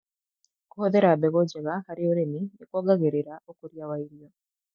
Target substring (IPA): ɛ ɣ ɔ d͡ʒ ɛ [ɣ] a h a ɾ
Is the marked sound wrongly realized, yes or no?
no